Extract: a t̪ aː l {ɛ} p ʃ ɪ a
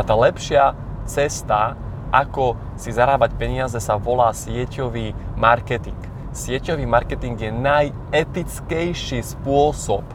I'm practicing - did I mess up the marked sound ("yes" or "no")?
no